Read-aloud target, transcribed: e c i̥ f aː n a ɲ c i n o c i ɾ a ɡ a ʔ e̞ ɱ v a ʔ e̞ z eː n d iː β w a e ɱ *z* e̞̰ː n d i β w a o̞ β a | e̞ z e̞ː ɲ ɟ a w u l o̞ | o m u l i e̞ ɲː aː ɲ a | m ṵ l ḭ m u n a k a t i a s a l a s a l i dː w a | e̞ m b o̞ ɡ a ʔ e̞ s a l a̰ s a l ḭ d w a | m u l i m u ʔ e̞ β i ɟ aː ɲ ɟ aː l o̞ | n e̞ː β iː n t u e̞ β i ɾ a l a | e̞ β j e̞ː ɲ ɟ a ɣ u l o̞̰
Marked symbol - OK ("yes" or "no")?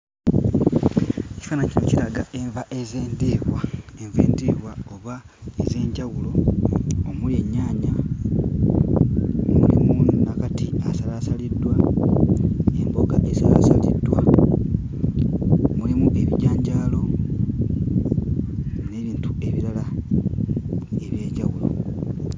no